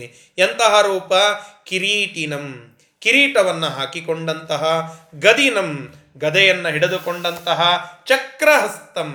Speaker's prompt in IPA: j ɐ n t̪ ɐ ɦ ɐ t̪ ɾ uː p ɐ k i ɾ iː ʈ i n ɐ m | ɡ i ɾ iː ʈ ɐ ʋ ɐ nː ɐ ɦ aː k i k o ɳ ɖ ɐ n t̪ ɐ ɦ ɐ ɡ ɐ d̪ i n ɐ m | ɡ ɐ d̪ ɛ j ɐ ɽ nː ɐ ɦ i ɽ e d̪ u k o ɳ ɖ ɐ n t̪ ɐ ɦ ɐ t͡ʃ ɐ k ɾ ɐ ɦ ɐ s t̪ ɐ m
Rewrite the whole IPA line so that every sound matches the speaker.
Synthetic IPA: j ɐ n t̪ ɐ ɦ ɐ ɾ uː p ɐ k i ɾ iː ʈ i n ɐ m | k i ɾ iː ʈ ɐ ʋ ɐ nː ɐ ɦ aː k i k o ɳ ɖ ɐ n t̪ ɐ ɦ ɐ ɡ ɐ d̪ i n ɐ m | ɡ ɐ d̪ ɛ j ɐ nː ɐ ɦ i ɽ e d̪ u k o ɳ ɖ ɐ n t̪ ɐ ɦ ɐ t͡ʃ ɐ k ɾ ɐ ɦ ɐ s t̪ ɐ m